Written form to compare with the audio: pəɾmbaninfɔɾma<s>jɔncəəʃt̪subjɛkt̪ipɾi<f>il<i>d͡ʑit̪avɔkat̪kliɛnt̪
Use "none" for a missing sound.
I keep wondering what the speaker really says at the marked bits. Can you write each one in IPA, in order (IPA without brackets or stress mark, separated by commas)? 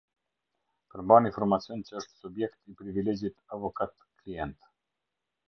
t͡s, v, ɛ